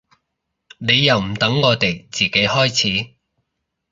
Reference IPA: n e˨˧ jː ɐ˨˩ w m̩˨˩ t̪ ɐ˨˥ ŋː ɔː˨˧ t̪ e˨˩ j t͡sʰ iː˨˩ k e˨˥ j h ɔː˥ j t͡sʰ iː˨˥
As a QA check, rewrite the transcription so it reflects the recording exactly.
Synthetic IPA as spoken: n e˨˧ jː ɐ˨˩ w m̩˨˩ t̪ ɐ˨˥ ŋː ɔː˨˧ t̪ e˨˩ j t͡s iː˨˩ k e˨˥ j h ɔː˥ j t͡sʰ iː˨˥